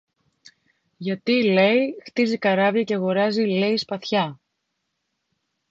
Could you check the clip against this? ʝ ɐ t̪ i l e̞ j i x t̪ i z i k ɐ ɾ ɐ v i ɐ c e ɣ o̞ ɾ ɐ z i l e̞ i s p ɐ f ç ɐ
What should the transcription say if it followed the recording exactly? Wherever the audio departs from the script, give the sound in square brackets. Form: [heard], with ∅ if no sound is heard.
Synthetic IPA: ʝ ɐ t̪ i l e̞ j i x t̪ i z i k ɐ ɾ ɐ v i ɐ c e ɣ o̞ ɾ ɐ z i l e̞ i s p ɐ [θ] ç ɐ